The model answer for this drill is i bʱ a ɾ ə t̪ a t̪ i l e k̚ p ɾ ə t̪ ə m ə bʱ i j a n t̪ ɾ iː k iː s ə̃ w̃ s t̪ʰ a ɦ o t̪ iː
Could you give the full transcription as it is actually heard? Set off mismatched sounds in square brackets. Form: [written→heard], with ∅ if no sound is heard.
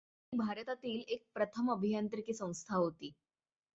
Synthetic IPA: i bʱ a ɾ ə t̪ a t̪ [i→iː] l e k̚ p ɾ ə [t̪→t̪ʰ] ə m ə bʱ i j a n t̪ ɾ [iː→i] k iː s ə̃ w̃ s t̪ʰ a ɦ o t̪ iː